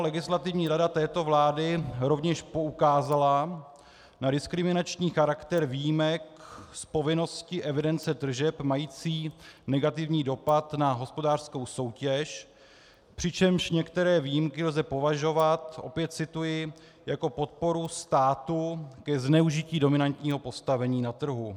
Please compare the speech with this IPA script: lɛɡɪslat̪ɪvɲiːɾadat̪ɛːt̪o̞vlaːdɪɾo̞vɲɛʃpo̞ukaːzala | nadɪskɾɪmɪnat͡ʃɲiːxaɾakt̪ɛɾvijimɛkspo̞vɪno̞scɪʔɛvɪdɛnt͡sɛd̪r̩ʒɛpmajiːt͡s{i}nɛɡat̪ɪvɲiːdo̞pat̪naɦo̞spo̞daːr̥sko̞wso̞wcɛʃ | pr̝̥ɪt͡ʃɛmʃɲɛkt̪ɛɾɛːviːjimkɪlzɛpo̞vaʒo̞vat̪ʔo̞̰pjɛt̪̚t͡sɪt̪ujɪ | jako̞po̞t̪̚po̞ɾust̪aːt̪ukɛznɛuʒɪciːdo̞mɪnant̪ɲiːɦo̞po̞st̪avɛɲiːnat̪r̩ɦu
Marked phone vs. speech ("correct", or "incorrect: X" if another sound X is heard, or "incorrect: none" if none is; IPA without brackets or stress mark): incorrect: iː